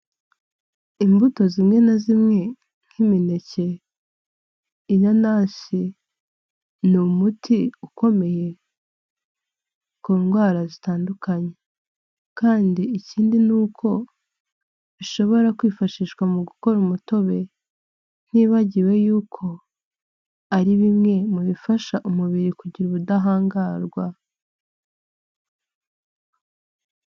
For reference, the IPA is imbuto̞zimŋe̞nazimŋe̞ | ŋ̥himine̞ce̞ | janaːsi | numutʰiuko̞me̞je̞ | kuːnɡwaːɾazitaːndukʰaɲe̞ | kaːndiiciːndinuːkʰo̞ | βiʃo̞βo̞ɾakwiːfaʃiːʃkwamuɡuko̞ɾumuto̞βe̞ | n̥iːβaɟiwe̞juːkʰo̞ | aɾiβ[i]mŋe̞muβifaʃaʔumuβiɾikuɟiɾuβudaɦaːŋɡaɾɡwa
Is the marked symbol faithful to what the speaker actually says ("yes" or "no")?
yes